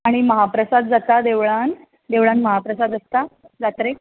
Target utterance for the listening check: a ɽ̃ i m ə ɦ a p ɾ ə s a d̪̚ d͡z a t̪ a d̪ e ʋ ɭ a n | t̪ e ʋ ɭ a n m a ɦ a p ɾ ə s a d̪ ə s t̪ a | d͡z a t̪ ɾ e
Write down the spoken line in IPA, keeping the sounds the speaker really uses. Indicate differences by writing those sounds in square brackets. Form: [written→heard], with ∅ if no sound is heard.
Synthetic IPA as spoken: a ɽ̃ i m ə ɦ a p ɾ ə s a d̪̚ d͡z a t̪ a d̪ e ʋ ɭ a n | [t̪→d̪] e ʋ ɭ a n m [a→ə] ɦ a p ɾ ə s a d̪ ə s t̪ a | d͡z a t̪ ɾ e

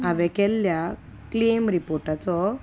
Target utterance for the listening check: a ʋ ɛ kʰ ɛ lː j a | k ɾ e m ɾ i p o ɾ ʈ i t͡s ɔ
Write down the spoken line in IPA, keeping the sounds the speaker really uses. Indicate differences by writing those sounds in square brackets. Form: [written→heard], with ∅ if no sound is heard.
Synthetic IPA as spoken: a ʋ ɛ [kʰ→k] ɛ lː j a | k [ɾ→l] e m ɾ i p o ɾ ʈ [i→a] t͡s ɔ

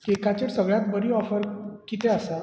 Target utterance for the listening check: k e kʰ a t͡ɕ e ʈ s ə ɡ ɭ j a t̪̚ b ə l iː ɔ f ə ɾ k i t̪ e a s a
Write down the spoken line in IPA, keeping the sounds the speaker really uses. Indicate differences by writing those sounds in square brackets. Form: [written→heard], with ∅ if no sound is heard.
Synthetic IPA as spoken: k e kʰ a t͡ɕ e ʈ s ə ɡ ɭ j a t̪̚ b ə [l→ɾ] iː ɔ f ə ɾ k i t̪ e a s a

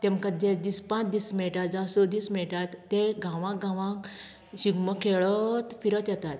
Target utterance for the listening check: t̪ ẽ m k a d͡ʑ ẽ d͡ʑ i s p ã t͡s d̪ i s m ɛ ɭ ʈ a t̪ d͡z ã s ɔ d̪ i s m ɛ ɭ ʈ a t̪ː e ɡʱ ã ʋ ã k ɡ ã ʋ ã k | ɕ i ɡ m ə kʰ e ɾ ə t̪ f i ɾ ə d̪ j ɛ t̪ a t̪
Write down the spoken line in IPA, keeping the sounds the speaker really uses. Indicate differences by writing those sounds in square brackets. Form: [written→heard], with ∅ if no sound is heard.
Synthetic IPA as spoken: t̪ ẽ m k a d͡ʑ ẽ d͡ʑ i s p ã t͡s d̪ i s m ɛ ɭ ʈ a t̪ d͡z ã s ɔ d̪ i s m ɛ ɭ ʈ a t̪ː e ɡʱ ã ʋ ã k ɡ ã ʋ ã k | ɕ i ɡ m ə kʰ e [ɾ→ɭ] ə t̪ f i ɾ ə [d̪→t̪] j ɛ t̪ a t̪

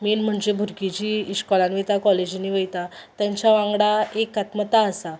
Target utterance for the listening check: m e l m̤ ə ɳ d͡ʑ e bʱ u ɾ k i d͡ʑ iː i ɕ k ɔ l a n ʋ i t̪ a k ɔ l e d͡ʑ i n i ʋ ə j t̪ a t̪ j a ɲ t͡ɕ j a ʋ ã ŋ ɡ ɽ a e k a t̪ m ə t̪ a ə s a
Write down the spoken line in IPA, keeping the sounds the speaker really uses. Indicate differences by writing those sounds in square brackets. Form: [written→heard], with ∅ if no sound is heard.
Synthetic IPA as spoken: m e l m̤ ə ɳ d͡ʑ e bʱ u ɾ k i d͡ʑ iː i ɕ k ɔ l a n ʋ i t̪ a k ɔ l e d͡ʑ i n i ʋ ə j t̪ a t̪ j a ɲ t͡ɕ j a ʋ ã ŋ ɡ ɽ a e k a t̪ m ə t̪ a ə s a

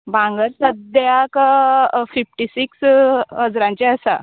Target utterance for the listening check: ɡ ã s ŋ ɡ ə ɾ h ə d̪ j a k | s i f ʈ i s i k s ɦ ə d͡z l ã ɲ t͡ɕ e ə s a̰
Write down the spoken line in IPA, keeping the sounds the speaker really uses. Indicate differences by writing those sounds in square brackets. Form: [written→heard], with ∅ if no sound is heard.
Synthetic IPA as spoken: [ɡ→b] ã [s→∅] ŋ ɡ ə ɾ [h→s] ə d̪ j a k | [s→f] i f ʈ i s i k s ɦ ə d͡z [l→ɾ] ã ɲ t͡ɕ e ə s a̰

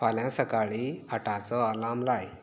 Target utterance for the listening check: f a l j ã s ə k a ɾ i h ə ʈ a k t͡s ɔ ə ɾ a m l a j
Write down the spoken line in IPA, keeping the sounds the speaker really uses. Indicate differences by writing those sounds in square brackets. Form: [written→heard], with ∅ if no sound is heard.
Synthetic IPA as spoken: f a l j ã s ə k a [ɾ→ɭ] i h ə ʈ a [k→∅] t͡s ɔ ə [ɾ→l] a m l a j

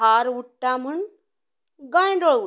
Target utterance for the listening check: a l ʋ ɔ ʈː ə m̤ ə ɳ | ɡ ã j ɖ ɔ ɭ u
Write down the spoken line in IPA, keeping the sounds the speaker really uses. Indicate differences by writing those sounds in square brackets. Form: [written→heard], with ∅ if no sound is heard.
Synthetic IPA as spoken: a [l→ɾ] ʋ [ɔ→u] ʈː [ə→a] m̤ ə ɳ | ɡ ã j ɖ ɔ ɭ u

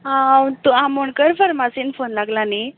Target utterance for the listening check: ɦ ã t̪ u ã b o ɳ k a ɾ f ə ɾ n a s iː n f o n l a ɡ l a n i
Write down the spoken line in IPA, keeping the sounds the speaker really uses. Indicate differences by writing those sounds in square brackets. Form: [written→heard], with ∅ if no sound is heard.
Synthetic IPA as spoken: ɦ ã t̪ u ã [b→m] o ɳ k [a→ə] ɾ f ə ɾ [n→m] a s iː n f o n l a ɡ l a n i

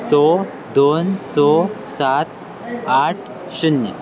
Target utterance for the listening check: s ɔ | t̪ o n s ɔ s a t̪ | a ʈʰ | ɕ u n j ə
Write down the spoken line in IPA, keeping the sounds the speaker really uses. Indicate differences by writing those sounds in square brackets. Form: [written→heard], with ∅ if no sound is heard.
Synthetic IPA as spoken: s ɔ | [t̪→d̪] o n s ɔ s a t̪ | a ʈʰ | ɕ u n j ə

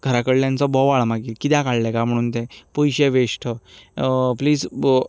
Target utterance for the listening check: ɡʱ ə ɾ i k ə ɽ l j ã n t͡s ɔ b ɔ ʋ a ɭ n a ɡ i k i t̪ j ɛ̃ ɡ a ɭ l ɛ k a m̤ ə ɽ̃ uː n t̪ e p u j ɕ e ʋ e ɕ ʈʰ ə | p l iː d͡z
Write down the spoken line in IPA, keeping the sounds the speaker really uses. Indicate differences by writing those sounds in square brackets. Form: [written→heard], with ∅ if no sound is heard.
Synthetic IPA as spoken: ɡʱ ə ɾ [i→a] k ə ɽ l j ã n t͡s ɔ b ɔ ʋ a ɭ [n→m] a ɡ i k i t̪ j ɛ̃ [ɡ→k] a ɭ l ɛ k a m̤ ə ɽ̃ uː n t̪ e p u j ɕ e ʋ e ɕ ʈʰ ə | p l iː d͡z

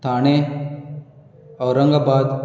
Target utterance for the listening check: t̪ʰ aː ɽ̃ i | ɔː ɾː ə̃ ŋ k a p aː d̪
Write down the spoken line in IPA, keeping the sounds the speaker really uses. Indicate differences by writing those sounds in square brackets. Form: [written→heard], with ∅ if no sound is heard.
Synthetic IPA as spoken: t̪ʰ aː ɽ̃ [i→e] | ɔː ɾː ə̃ ŋ [k→ɡ] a [p→b] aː d̪

